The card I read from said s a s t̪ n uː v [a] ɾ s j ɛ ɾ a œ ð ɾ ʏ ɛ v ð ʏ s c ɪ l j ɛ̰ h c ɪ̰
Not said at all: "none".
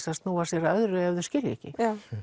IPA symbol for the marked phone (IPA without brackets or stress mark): a